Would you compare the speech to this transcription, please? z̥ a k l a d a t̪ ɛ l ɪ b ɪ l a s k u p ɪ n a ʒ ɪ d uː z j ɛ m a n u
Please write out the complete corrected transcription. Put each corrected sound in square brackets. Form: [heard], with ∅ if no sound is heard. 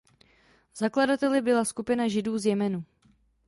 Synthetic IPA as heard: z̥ a k l a d a t̪ ɛ l ɪ b ɪ l a s k u p ɪ n a ʒ ɪ d uː z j ɛ m [ɛ] n u